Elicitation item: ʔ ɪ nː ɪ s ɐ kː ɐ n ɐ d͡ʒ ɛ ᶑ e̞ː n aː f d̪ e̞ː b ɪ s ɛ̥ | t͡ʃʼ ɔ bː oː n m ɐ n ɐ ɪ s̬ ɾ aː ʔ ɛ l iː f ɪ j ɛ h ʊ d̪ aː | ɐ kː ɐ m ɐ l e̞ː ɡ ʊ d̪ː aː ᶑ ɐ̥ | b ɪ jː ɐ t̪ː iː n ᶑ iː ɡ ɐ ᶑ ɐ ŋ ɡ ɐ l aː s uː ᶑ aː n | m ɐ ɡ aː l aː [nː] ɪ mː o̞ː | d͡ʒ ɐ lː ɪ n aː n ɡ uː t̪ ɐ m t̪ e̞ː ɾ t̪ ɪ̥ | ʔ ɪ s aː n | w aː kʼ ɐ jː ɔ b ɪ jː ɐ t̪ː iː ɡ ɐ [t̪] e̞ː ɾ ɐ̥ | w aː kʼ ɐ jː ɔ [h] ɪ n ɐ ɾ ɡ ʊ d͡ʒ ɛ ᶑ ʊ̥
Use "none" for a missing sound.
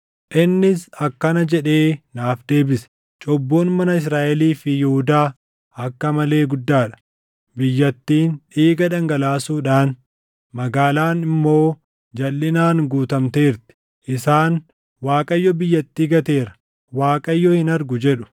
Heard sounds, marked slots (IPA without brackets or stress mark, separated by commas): n, t̪, h